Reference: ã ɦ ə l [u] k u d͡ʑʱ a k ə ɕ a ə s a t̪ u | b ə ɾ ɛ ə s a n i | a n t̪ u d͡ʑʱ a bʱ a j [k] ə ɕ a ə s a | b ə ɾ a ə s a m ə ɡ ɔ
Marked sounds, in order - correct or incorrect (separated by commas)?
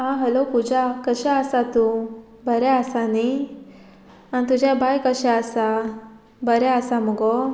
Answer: incorrect, correct